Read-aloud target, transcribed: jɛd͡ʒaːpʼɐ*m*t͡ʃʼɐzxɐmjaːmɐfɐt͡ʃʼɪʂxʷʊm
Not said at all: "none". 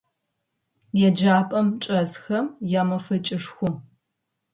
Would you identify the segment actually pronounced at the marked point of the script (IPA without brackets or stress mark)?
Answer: m